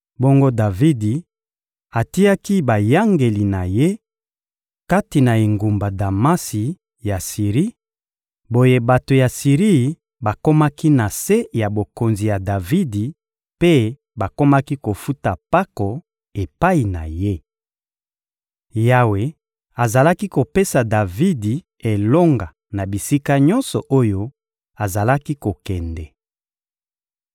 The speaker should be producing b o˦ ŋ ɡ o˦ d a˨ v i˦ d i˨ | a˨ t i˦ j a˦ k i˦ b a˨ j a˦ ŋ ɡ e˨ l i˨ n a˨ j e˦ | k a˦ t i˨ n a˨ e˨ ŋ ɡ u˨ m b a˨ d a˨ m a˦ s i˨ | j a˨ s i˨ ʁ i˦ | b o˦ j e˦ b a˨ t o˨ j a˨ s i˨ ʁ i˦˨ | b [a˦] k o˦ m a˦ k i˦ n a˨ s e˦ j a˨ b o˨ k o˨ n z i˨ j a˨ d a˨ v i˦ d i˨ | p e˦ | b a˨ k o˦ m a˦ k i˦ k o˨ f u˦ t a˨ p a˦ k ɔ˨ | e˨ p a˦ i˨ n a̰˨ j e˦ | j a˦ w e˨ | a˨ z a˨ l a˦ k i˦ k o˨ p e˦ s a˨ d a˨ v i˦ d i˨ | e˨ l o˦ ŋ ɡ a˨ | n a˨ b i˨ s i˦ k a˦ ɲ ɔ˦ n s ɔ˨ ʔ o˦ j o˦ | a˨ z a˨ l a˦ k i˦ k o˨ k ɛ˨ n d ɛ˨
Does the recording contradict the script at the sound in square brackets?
yes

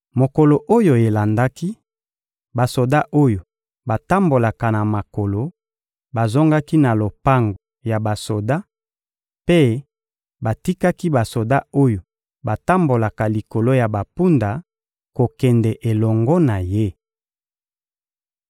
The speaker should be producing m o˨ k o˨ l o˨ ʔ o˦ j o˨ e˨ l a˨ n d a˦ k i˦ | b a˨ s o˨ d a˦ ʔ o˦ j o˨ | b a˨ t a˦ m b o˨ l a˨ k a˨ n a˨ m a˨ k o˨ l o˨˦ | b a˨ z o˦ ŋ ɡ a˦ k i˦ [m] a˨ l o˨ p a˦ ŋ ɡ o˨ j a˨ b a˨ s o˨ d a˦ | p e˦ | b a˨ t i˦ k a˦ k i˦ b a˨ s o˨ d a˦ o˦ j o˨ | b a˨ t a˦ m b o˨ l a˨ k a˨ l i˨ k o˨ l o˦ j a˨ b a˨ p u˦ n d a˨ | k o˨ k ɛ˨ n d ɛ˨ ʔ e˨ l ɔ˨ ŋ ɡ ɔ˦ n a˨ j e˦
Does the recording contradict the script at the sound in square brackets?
yes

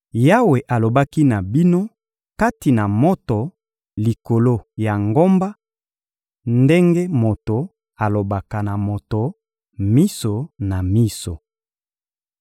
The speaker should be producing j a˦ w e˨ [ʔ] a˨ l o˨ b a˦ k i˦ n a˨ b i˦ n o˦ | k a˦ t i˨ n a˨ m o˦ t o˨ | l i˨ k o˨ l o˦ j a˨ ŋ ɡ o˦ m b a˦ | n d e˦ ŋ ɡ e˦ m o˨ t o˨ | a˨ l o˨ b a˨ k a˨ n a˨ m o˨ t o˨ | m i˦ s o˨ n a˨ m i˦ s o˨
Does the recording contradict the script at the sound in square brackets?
no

